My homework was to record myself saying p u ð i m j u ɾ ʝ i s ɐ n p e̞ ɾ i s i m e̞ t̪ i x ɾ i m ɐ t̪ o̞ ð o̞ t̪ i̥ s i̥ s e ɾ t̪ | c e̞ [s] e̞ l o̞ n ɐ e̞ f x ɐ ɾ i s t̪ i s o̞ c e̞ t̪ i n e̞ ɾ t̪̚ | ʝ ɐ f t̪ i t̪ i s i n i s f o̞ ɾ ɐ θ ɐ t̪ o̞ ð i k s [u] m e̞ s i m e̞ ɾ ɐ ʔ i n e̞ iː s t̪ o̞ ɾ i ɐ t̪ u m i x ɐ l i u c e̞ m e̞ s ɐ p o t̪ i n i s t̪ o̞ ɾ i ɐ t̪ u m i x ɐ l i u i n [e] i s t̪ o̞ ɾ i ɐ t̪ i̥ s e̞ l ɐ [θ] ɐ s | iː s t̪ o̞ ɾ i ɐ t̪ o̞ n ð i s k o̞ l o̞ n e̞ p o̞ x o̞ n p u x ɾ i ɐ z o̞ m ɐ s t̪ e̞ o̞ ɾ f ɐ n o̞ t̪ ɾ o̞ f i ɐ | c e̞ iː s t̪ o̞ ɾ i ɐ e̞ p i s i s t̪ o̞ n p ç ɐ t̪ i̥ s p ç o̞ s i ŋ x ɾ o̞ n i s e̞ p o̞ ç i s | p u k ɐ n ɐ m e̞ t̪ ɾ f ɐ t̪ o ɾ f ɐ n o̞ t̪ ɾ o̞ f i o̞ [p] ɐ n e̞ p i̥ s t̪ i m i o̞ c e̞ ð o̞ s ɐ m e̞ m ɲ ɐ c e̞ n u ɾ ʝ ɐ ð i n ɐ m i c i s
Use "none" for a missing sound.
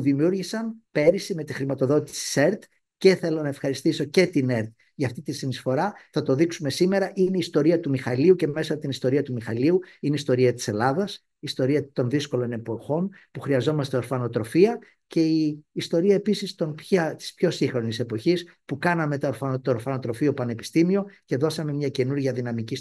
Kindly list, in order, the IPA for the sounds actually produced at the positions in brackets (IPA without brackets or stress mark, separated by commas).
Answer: θ, u, e, ð, p